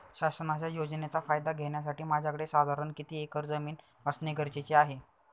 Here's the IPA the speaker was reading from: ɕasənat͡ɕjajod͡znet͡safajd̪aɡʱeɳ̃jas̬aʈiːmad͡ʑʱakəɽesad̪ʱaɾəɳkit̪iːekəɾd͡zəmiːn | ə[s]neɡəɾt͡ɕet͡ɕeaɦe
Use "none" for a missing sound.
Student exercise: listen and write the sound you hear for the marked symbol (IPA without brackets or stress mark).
s